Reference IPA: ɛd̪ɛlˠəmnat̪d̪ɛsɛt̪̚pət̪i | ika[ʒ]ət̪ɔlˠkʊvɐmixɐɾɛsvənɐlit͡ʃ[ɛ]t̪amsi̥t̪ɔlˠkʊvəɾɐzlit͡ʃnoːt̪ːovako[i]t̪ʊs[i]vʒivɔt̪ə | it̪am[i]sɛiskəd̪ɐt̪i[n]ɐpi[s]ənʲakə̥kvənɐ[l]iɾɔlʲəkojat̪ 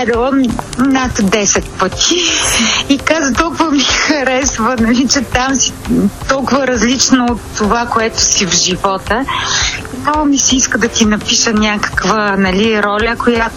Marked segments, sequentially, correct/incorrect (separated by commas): incorrect, correct, incorrect, correct, correct, correct, incorrect, correct